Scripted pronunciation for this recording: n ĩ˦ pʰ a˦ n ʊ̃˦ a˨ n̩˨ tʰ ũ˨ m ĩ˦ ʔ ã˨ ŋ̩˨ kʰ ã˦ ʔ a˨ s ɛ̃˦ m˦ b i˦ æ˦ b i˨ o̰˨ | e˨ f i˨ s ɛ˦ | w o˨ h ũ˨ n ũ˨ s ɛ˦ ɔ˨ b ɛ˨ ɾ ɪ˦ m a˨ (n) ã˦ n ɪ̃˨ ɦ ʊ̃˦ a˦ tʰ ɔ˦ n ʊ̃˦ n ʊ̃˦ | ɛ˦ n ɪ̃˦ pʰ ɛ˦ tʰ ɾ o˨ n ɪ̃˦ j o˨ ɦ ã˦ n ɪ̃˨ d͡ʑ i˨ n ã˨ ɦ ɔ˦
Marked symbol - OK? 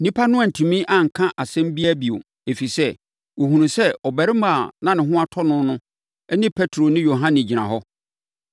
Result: yes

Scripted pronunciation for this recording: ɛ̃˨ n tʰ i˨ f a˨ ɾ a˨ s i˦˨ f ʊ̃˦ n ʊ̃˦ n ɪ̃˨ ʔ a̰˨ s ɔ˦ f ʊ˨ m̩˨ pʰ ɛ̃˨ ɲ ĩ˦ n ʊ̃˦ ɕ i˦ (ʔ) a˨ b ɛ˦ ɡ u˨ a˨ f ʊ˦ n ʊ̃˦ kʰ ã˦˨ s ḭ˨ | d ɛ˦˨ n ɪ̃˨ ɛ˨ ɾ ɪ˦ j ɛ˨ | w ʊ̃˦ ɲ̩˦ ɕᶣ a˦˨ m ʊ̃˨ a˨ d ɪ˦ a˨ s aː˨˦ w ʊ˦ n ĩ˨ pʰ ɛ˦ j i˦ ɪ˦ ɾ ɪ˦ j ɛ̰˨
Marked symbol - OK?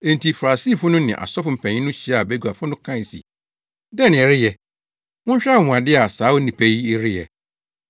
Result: no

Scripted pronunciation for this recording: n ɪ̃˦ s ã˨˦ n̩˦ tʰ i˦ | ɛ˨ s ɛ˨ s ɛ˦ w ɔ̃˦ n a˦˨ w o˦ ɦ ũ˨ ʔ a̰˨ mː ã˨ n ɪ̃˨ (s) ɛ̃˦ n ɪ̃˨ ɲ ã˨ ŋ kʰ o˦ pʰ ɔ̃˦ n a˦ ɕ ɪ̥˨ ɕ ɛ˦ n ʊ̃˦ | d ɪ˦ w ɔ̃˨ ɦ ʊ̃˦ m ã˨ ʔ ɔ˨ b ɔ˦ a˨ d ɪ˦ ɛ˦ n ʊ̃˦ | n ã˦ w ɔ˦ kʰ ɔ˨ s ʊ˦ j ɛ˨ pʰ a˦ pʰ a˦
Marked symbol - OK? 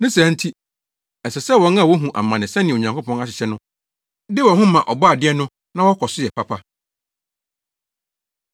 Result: yes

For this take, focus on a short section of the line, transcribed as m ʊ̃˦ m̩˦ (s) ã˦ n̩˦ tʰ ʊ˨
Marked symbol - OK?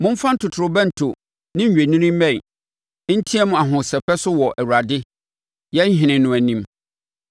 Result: no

